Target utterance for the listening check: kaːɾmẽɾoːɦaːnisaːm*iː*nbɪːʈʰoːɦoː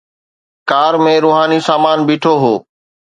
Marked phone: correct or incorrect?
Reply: incorrect